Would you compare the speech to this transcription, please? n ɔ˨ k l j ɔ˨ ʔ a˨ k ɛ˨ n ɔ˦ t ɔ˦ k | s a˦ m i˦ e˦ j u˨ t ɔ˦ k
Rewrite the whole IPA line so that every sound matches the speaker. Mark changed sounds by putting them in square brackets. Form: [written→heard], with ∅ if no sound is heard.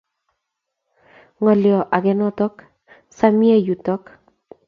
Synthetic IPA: [n→ŋ] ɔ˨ [k→∅] l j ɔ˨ ʔ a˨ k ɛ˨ n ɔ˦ t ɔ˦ k | s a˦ m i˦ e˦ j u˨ t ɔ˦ k